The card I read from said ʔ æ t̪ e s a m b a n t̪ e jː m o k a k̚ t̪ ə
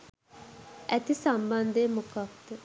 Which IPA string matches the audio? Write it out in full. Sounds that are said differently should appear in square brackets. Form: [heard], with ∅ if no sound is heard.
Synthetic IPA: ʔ æ t̪ [i] s a m b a n [d̪] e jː m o k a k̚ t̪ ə

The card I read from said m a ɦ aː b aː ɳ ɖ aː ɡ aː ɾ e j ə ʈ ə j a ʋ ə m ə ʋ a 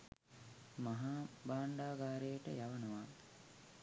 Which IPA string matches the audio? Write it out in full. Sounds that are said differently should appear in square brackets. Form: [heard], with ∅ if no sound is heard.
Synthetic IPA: m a ɦ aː b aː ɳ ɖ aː ɡ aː ɾ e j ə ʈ ə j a ʋ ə [n] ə ʋ a

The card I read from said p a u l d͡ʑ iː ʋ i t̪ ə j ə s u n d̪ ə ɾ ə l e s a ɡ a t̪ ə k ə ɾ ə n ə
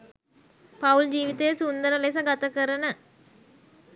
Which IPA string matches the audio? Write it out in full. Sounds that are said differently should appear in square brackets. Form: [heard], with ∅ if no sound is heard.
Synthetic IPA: p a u l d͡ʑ iː ʋ i t̪ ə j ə s u n d̪ ə ɾ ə l e s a ɡ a t̪ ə k ə ɾ ə n ə

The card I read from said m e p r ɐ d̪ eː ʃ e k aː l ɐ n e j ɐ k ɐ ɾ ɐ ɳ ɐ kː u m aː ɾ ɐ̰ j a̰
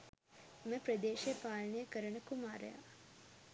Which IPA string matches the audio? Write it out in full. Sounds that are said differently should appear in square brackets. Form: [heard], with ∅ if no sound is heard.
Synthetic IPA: m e p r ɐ d̪ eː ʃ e [p] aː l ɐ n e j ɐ k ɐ ɾ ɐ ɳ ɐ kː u m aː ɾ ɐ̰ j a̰

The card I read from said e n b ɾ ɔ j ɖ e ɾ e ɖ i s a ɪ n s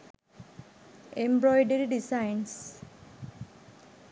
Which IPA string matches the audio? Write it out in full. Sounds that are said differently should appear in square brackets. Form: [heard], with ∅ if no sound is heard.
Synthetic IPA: e [m] b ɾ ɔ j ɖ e ɾ [i] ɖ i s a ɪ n s

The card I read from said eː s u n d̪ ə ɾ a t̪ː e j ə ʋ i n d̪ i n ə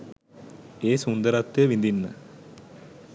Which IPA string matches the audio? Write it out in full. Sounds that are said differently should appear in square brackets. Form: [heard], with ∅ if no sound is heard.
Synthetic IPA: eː s u n d̪ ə ɾ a t̪ː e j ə ʋ i n d̪ i [nː] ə

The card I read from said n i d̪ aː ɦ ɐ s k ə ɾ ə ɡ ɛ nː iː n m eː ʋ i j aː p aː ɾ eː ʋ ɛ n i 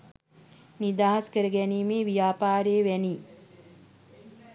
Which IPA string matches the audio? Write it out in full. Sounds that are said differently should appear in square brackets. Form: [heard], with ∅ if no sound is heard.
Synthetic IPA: n i d̪ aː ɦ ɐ s k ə ɾ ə ɡ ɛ [n] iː [∅] m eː ʋ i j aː p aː ɾ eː ʋ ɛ n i

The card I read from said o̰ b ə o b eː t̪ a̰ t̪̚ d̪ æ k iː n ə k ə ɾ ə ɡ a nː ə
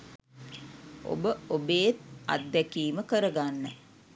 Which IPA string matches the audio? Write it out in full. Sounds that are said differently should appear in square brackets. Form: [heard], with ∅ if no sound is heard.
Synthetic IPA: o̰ b ə o b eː t̪ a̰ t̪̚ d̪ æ k iː [m] ə k ə ɾ ə ɡ a nː ə

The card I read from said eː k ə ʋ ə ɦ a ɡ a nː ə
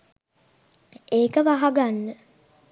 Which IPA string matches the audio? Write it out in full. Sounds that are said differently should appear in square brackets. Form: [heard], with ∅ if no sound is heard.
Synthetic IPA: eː k ə ʋ [a] ɦ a ɡ a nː ə

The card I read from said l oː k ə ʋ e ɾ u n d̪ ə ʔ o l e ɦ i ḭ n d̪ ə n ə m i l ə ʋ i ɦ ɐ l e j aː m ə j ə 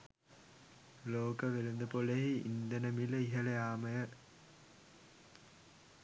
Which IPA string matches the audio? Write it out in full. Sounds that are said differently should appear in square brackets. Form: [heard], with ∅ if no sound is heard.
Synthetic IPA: l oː k ə ʋ e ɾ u n d̪ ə [p] o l e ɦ i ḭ n d̪ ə n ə m i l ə [∅] i ɦ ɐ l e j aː m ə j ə

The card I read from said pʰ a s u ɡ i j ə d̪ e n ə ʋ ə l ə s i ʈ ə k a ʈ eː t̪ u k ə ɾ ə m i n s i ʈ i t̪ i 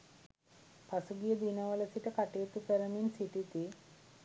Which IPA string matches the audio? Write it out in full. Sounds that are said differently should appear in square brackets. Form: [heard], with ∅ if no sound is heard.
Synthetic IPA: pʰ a s u ɡ i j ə d̪ [i] n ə ʋ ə l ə s i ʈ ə k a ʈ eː t̪ u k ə ɾ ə m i n s i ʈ i t̪ i

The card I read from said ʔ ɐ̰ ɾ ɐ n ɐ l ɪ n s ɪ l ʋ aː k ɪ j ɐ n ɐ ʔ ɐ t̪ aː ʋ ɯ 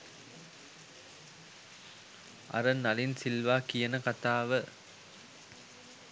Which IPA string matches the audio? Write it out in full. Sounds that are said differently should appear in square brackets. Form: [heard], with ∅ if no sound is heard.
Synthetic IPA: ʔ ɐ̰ ɾ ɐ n ɐ l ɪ n s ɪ l ʋ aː k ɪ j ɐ n ɐ [k] ɐ t̪ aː ʋ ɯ

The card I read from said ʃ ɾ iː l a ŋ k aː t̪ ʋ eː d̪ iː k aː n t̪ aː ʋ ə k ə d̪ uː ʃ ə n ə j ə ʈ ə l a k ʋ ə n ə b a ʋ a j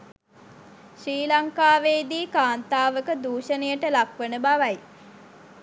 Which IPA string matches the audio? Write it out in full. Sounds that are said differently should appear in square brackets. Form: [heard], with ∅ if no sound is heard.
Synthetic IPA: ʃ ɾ iː l a ŋ k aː [∅] ʋ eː d̪ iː k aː n t̪ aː ʋ ə k ə d̪ uː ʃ ə n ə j ə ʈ ə l a k ʋ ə n ə b a ʋ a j

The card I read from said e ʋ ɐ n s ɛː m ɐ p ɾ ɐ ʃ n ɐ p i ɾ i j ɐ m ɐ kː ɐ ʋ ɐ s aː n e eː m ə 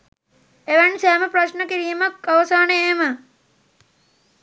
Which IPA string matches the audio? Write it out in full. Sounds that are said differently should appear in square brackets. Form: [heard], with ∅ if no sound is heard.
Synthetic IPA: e ʋ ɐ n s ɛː m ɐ p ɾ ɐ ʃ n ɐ [k] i ɾ i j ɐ m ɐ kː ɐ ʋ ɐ s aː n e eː m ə

